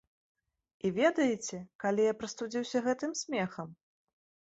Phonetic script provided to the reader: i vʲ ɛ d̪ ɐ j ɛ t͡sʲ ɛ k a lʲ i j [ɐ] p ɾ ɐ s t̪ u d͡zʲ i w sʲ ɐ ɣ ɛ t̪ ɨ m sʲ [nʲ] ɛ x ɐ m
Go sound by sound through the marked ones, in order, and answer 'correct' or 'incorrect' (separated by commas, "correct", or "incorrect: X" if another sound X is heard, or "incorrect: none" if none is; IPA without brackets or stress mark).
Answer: incorrect: a, incorrect: mʲ